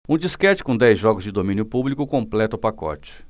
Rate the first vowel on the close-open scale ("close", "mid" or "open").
close